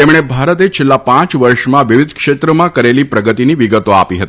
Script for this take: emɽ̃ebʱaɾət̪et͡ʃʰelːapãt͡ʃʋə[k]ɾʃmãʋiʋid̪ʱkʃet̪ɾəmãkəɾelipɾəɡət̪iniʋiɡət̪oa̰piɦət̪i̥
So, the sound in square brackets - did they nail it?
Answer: no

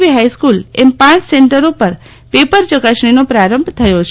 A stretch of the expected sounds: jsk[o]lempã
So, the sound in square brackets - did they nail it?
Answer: no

